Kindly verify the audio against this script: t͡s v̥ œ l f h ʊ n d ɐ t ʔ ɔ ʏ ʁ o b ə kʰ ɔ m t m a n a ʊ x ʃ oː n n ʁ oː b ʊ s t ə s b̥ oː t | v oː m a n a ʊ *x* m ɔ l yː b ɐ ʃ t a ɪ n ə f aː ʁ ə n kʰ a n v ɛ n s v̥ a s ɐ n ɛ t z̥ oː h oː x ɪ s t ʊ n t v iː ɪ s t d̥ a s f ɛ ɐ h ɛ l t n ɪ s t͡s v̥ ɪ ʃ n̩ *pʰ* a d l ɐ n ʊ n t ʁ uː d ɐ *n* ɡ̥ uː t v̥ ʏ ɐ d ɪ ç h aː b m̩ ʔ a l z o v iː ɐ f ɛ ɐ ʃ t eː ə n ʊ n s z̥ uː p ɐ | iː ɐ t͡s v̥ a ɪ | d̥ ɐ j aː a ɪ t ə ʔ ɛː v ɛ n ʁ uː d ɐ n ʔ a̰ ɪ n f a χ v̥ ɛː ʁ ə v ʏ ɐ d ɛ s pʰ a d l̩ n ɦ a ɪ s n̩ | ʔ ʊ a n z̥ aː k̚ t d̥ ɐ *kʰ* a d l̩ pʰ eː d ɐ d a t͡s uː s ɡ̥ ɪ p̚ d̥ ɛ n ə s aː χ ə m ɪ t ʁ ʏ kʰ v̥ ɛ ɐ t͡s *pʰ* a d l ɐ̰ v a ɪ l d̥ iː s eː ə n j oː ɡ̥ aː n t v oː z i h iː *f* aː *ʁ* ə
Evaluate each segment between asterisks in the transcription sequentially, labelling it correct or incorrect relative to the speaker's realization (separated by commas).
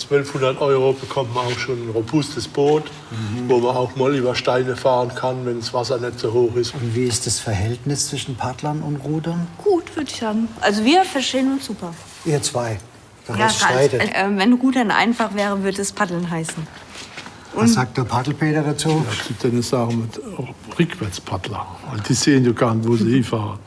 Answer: correct, correct, correct, incorrect, correct, correct, correct